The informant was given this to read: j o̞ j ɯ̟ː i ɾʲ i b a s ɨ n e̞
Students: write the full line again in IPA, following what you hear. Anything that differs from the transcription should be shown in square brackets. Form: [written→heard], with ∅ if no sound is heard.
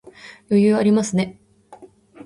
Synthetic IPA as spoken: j o̞ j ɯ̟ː [i→a] ɾʲ i [b→m] a s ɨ n e̞